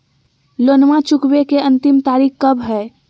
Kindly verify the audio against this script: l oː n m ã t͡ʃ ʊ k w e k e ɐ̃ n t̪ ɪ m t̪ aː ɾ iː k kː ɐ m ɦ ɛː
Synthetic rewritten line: l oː n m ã t͡ʃ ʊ k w e k e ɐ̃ n t̪ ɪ m t̪ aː ɾ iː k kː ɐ b ɦ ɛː